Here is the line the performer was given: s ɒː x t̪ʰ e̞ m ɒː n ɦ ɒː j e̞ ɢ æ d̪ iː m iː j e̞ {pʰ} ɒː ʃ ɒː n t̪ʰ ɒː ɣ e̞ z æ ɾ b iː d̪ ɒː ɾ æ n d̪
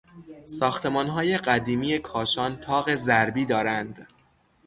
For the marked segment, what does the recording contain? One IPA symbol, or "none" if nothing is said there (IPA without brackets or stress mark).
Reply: kʰ